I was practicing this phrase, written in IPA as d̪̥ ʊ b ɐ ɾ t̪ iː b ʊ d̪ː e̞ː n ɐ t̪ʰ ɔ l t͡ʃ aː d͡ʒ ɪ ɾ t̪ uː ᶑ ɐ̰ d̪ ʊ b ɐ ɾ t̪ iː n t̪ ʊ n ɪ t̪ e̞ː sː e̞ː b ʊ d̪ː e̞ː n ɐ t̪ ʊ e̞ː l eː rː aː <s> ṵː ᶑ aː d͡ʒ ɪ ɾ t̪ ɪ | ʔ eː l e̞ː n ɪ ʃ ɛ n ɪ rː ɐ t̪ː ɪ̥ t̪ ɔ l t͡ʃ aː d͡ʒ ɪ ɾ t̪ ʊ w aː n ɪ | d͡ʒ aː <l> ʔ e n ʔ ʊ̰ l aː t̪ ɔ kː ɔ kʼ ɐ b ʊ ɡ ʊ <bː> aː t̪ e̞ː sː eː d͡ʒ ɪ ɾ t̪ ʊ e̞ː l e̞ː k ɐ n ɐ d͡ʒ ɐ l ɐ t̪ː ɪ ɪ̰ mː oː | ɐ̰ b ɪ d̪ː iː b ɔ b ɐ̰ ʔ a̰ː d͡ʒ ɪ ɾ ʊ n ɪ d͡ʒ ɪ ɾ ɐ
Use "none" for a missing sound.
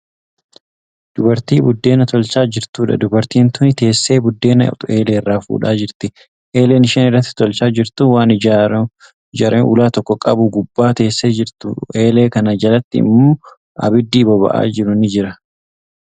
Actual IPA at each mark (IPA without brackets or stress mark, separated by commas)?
f, ɾ, bː